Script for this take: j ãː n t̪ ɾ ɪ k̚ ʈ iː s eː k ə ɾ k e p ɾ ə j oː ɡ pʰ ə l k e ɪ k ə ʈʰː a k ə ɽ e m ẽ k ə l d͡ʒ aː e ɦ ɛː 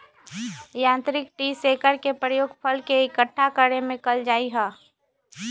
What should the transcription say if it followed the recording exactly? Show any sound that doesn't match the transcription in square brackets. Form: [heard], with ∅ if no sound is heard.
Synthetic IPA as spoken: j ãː n t̪ ɾ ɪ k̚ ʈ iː s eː k ə ɾ k e p ɾ ə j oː ɡ pʰ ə l k e ɪ k ə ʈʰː a k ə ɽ e m ẽ k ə l d͡ʒ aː [i] ɦ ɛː